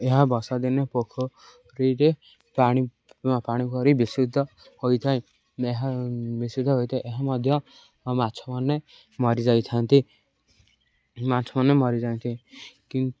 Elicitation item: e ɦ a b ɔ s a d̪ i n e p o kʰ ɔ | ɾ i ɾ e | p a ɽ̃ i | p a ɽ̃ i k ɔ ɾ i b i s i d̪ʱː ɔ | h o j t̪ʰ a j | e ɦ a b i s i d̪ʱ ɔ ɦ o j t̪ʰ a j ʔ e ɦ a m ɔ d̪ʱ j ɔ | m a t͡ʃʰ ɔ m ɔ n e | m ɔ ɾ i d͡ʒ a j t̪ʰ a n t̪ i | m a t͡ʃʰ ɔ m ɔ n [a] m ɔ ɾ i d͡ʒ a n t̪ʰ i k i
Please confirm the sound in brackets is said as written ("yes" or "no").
no